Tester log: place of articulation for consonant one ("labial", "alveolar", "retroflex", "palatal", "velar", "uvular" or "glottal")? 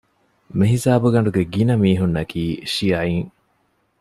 labial